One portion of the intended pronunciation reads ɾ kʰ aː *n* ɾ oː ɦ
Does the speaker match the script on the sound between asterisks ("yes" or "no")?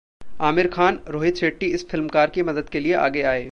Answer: yes